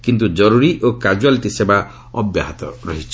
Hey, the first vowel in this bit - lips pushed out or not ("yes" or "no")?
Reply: no